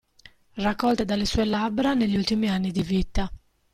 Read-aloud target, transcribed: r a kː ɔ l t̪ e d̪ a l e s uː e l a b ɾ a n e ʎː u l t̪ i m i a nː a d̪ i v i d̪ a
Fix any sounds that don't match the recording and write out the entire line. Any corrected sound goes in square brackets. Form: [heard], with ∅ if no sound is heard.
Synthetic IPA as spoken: r a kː ɔ l t̪ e d̪ a l e s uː e l a b ɾ a n e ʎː u l t̪ i m i a nː [i] d̪ i v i [t̪] a